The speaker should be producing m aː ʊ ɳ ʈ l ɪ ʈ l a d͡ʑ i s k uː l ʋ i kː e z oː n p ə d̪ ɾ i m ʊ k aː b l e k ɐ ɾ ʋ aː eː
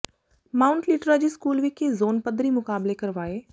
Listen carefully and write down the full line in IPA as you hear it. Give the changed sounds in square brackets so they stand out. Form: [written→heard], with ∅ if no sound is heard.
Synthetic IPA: m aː ʊ ɳ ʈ l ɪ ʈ [l→ɾ] a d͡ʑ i s k uː l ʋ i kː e z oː n p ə d̪ ɾ i m ʊ k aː b l e k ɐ ɾ ʋ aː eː